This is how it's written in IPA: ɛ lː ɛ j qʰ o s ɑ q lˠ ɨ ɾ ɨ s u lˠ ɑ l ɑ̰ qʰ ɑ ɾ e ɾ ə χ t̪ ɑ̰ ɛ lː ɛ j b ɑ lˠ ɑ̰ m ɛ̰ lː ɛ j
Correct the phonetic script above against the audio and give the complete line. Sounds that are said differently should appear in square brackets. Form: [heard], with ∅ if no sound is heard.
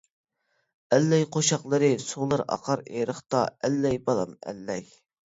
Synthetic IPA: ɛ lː ɛ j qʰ o [ʃ] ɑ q lˠ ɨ ɾ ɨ s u lˠ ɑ [ɾ] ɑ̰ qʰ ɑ ɾ e ɾ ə χ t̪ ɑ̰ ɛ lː ɛ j b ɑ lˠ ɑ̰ m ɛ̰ lː ɛ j